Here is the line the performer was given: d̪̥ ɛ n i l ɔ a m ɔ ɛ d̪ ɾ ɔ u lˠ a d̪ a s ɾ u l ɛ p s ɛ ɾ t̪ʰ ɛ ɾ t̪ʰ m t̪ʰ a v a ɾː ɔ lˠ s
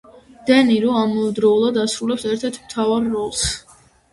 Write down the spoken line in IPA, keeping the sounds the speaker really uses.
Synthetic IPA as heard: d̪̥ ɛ n i ɾ ɔ a m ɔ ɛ d̪ ɾ ɔ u lˠ a d̪ a s ɾ u l ɛ p s ɛ ɾ t̪ʰ ɛ ɾ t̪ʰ m t̪ʰ a v a ɾː ɔ lˠ s